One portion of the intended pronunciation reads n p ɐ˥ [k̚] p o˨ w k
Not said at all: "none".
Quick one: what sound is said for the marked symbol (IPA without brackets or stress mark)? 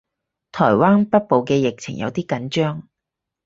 t̚